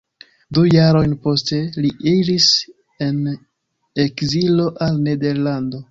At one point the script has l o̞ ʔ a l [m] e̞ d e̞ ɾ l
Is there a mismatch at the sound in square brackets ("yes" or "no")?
yes